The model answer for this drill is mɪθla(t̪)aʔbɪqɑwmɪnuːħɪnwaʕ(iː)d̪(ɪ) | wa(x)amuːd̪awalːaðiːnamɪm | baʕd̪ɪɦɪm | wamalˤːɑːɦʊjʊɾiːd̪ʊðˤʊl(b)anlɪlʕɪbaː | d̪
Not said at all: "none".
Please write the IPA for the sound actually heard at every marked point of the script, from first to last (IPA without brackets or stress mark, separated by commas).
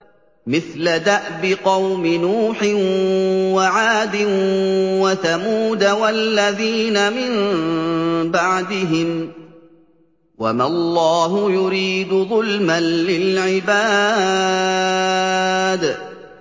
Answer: d̪, aː, ɪ, θ, m